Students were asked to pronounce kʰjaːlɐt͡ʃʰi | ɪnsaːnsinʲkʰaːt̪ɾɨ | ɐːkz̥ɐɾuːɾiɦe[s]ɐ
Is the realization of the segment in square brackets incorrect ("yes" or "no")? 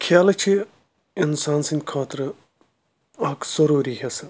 no